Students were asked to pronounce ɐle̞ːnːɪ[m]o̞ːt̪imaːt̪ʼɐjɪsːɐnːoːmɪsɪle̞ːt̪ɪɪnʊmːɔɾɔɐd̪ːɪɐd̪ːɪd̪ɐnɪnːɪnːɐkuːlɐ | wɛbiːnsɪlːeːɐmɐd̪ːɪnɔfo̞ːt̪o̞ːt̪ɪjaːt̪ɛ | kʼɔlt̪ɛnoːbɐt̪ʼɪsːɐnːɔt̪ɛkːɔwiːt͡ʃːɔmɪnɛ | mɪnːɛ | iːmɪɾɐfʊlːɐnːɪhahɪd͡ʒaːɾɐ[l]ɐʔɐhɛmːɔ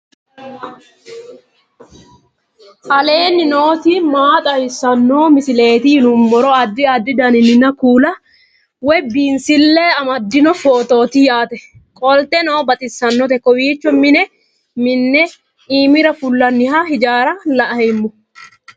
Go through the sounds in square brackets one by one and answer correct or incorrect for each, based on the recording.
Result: incorrect: n, correct

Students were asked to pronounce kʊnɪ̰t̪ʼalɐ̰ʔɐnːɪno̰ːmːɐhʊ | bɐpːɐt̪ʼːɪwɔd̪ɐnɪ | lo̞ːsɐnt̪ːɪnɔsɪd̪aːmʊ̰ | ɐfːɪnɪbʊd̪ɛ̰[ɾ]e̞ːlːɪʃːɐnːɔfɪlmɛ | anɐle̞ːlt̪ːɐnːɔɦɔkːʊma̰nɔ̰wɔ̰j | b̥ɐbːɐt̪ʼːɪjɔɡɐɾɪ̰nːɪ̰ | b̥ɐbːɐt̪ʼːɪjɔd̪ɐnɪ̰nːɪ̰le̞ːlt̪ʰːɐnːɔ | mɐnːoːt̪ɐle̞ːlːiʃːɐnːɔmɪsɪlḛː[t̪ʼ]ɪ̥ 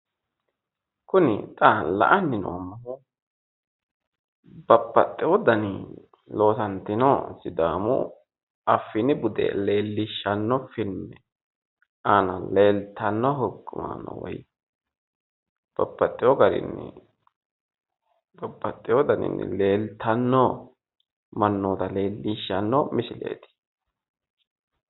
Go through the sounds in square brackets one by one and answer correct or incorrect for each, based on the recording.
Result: incorrect: l, incorrect: t̪

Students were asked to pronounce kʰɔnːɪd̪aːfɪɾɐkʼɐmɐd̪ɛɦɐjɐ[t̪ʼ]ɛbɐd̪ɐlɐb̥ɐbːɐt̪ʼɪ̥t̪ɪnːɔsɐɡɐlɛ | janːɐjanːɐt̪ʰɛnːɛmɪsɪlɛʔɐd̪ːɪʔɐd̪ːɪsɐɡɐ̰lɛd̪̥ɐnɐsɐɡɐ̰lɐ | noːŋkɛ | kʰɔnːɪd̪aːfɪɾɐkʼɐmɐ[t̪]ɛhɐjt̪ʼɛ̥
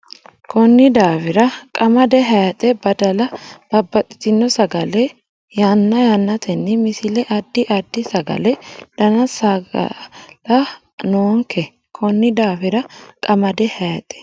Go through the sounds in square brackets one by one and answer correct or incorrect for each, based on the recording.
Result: correct, incorrect: d̪

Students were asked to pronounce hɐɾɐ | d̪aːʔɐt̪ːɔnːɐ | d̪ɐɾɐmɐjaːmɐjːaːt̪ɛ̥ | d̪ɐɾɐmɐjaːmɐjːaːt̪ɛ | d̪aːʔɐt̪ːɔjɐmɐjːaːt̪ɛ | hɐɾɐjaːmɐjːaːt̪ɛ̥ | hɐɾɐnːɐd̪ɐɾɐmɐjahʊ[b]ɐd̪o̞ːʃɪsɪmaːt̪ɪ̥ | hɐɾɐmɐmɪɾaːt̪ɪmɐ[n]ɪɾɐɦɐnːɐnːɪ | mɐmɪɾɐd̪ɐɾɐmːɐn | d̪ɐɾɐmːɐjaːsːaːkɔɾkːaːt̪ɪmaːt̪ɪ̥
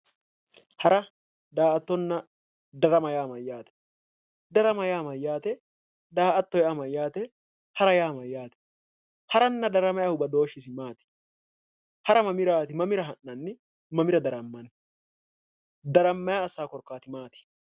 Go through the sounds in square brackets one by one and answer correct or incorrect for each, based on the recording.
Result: correct, incorrect: m

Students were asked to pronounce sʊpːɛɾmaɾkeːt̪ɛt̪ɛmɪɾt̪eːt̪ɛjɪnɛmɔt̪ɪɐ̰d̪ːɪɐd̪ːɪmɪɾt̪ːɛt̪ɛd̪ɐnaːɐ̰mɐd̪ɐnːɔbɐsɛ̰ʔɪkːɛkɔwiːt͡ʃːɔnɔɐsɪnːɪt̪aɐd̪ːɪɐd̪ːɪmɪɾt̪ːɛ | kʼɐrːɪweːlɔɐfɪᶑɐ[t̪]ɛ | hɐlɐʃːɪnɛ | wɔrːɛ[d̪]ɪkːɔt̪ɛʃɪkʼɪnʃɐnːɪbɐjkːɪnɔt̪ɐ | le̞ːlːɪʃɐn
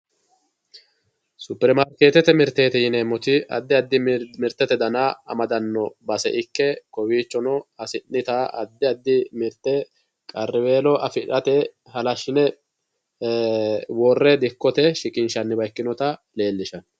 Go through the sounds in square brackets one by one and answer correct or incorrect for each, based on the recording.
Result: correct, correct

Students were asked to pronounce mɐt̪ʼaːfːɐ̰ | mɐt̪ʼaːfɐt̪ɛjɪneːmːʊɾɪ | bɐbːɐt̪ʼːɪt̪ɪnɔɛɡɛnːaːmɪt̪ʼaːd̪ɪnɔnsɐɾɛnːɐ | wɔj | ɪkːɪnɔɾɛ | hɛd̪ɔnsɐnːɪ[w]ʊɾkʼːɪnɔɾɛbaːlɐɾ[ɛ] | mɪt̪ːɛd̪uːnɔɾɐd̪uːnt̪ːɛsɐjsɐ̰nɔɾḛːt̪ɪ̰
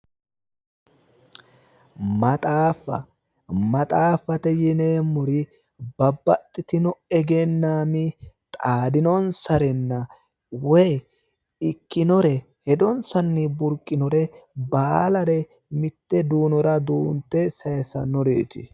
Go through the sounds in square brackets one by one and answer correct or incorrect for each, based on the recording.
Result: incorrect: b, correct

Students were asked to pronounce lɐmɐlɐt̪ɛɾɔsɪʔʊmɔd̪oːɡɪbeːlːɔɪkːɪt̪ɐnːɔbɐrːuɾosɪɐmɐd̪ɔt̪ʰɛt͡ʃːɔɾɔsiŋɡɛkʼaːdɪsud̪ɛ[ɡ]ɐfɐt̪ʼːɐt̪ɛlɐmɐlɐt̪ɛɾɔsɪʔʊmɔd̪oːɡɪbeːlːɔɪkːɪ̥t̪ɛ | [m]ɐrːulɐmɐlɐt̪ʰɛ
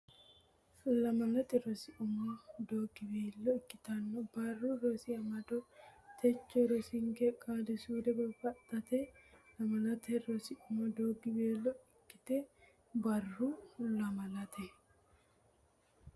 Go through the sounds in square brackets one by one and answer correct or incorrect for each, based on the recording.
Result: incorrect: b, incorrect: b

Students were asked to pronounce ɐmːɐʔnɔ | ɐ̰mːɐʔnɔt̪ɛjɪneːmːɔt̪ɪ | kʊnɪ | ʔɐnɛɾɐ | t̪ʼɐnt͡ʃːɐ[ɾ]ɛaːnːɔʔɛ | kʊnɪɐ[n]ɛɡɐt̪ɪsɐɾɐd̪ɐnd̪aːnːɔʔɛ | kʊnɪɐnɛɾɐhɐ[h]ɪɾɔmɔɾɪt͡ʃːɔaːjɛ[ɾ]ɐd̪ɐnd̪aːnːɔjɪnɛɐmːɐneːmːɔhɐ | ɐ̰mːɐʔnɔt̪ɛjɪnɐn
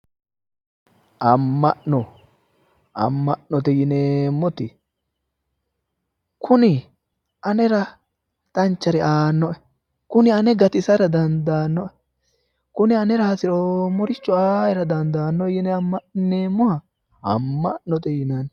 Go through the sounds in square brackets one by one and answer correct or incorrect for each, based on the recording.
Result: correct, correct, incorrect: s, correct

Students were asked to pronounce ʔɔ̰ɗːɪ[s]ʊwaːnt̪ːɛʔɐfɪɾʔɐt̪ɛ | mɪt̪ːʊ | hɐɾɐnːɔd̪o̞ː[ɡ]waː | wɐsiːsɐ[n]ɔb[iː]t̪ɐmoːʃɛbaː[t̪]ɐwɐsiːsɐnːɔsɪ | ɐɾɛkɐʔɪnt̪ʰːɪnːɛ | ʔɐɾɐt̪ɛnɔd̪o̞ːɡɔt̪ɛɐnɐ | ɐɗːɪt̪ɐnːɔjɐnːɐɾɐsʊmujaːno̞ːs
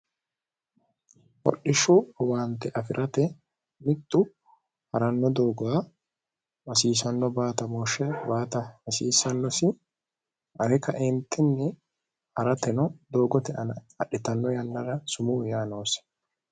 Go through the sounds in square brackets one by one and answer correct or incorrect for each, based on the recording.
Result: incorrect: ʃ, correct, incorrect: nː, incorrect: aː, correct

